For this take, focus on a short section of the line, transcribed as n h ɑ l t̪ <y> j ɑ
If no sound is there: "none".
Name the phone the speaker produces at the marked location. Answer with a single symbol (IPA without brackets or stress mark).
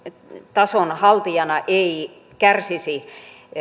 i